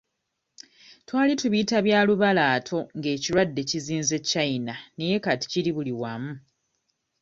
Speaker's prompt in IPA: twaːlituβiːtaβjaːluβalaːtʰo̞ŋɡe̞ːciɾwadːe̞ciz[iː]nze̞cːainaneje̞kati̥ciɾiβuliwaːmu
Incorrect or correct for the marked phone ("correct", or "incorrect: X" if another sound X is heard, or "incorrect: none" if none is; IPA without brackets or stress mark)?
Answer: correct